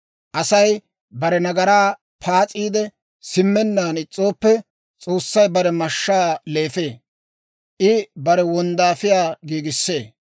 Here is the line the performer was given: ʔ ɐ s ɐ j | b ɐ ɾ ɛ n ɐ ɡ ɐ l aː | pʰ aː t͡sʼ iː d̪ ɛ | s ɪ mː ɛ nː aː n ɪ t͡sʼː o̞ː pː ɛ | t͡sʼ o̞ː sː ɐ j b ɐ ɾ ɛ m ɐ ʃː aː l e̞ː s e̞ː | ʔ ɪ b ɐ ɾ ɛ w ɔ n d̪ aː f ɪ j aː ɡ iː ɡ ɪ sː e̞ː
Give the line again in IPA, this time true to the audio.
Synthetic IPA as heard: ʔ ɐ s ɐ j | b ɐ ɾ ɛ n ɐ ɡ ɐ ɾ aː | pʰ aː t͡sʼ iː d̪ ɛ | s ɪ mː ɛ nː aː n ɪ t͡sʼː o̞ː pː ɛ | t͡sʼ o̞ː sː ɐ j b ɐ ɾ ɛ m ɐ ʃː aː l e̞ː f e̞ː | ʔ ɪ b ɐ ɾ ɛ w ɔ n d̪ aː f ɪ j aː ɡ iː ɡ ɪ sː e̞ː